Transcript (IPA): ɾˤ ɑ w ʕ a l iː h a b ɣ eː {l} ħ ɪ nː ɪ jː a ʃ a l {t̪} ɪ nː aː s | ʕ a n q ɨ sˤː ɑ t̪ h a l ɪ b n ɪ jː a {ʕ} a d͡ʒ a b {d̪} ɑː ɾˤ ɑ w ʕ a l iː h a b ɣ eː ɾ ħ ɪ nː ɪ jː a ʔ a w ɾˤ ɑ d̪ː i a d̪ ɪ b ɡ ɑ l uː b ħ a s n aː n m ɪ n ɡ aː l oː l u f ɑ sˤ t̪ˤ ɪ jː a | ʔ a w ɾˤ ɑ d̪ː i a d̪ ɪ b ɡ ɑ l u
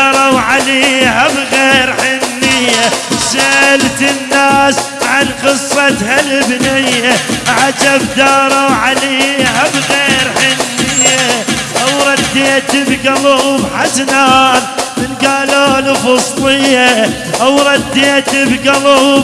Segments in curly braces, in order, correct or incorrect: incorrect: ɾ, correct, correct, correct

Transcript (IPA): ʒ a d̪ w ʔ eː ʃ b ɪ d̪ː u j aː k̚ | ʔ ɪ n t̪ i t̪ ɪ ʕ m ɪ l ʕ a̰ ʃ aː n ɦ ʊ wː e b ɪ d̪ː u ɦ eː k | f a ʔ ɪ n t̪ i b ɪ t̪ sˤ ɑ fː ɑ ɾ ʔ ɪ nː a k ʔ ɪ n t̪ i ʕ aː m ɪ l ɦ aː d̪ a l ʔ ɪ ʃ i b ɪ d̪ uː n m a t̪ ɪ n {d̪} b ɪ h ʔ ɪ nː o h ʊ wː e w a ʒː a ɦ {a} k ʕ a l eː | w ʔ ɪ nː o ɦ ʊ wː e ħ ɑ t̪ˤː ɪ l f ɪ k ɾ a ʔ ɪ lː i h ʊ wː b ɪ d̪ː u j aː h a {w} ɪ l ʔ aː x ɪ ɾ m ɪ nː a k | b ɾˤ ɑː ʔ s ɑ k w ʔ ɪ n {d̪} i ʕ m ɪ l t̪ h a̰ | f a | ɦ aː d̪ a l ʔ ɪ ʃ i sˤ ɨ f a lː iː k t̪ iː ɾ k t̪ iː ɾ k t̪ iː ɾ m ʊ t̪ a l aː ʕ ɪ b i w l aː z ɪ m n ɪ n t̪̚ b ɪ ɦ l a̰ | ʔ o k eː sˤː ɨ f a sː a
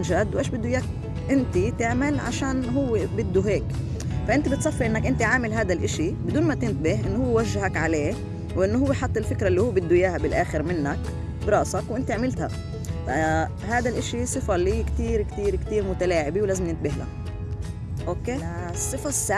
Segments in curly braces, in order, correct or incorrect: incorrect: t̪, correct, incorrect: b, incorrect: t̪

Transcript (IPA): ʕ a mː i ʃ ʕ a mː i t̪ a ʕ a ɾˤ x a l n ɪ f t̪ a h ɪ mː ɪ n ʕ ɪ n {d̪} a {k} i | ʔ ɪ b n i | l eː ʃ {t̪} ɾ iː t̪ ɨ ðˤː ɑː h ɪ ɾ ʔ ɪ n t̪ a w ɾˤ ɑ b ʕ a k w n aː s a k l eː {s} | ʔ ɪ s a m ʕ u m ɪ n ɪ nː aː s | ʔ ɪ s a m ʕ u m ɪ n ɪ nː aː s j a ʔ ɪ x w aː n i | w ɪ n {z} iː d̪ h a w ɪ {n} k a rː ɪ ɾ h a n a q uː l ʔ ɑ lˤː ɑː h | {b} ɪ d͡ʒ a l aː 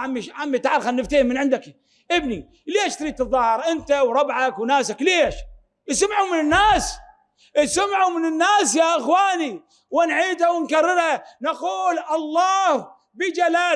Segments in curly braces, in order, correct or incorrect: correct, correct, correct, incorrect: ʃ, incorrect: ʕ, correct, correct

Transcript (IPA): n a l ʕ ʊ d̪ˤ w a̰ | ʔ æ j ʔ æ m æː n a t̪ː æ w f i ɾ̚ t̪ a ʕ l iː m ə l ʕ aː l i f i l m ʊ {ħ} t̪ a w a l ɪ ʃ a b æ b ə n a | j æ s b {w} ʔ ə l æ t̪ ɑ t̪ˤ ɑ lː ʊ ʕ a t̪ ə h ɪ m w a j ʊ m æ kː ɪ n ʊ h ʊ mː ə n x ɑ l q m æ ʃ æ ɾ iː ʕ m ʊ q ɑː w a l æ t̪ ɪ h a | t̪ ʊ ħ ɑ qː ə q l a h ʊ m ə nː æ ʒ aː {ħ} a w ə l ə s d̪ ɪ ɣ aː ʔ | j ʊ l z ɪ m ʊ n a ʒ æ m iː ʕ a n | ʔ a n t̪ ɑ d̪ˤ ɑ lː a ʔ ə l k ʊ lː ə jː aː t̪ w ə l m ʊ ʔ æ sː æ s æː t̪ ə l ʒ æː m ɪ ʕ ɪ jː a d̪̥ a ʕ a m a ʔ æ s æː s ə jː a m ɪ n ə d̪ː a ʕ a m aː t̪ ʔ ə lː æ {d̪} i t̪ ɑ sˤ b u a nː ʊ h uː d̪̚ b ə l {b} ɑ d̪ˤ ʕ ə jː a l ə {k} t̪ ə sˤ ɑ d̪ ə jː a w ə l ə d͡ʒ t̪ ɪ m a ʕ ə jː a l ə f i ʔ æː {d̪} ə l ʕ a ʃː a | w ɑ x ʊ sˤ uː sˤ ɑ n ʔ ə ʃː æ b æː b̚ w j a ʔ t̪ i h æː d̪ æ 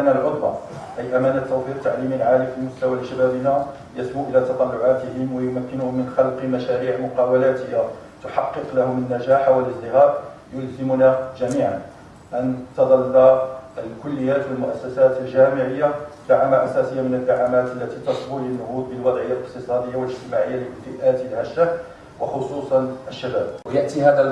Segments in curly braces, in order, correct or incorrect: incorrect: s, incorrect: u, correct, incorrect: t̪, incorrect: w, incorrect: q, incorrect: t̪

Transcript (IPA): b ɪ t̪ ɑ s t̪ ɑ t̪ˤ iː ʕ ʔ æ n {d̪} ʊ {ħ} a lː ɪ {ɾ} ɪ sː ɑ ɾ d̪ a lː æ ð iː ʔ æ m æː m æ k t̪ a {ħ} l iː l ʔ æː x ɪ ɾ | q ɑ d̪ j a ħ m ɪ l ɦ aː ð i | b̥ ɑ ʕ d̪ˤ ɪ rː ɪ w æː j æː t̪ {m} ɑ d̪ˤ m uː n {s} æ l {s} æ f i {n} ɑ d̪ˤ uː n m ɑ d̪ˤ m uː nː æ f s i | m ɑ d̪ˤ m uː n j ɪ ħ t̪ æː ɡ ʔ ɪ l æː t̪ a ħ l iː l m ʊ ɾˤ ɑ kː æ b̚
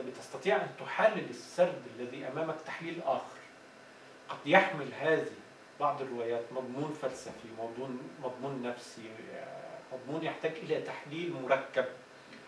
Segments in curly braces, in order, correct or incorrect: incorrect: t̪, correct, incorrect: l, correct, correct, incorrect: f, correct, incorrect: m

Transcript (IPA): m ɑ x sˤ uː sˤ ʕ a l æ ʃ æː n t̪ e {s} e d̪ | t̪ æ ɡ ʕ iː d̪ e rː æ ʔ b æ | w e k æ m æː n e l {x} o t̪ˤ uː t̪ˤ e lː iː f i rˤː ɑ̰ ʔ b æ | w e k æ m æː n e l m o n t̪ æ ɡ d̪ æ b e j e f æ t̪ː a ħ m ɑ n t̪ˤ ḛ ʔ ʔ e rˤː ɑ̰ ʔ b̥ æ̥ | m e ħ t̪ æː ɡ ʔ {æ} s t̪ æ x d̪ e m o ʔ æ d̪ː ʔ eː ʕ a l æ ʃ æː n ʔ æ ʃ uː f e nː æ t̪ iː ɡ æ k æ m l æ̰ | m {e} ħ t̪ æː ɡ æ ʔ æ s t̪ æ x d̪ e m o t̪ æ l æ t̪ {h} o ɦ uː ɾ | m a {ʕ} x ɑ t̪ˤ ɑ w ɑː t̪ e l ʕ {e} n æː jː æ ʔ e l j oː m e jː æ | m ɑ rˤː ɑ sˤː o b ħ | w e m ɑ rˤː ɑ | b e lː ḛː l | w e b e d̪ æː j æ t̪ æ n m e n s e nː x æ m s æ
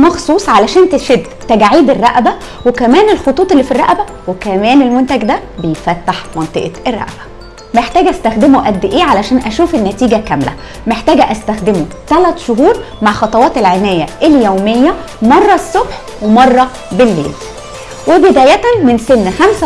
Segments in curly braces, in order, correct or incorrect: incorrect: ʃ, correct, correct, correct, incorrect: ʃ, correct, correct

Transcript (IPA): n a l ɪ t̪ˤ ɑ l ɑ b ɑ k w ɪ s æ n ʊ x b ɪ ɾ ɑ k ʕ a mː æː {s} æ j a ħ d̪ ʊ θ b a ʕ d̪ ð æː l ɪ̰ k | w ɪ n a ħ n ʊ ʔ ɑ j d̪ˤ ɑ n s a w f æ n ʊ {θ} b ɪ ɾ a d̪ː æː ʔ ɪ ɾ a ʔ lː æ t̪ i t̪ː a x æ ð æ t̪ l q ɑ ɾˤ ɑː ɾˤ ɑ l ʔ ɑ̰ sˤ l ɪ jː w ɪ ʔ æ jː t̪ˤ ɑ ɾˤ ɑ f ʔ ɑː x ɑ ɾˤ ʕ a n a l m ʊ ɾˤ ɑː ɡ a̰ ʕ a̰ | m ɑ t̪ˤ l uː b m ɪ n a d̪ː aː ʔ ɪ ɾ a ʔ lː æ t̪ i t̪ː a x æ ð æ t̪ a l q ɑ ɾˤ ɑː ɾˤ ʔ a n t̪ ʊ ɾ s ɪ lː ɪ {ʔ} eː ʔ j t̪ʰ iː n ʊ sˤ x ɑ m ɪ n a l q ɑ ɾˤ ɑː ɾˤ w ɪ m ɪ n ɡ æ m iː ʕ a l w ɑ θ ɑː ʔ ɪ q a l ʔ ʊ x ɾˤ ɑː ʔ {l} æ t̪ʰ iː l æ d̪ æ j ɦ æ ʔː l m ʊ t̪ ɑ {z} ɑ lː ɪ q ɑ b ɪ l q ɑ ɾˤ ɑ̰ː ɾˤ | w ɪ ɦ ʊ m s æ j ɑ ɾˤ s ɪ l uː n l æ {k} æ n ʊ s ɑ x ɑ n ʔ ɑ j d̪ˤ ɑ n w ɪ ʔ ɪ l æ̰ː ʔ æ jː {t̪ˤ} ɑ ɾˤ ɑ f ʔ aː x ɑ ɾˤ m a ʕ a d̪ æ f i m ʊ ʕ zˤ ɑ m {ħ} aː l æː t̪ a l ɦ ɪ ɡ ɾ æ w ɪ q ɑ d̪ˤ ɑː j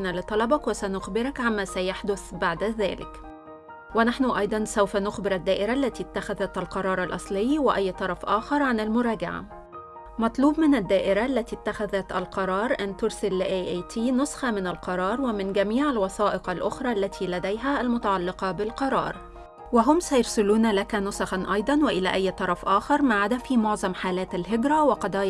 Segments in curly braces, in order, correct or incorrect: correct, incorrect: x, correct, incorrect: lː, incorrect: ʕ, correct, correct, correct

